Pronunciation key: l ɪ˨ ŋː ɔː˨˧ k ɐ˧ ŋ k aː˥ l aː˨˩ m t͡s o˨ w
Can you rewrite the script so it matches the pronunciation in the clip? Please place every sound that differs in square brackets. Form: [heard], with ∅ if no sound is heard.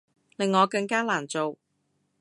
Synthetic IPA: l ɪ˨ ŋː ɔː˨˧ k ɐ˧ ŋ k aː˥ l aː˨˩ [n] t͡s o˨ w